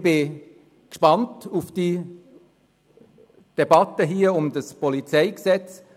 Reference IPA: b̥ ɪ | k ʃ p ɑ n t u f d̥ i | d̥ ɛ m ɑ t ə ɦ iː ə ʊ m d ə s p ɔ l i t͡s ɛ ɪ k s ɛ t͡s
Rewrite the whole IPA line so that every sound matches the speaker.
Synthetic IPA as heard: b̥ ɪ | k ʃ p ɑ n t u f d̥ i | d̥ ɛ b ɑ t ə ɦ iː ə ʊ m d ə s p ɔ l i t͡s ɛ ɪ k s ɛ t͡s